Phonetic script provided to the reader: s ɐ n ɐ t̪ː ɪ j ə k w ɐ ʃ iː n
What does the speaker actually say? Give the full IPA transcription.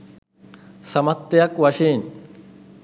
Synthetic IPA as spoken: s ɐ m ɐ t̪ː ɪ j ɐ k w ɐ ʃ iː n